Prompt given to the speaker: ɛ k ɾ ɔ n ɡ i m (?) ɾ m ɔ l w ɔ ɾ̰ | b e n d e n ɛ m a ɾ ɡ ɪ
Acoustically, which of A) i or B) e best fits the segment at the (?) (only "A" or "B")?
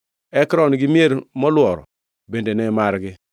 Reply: B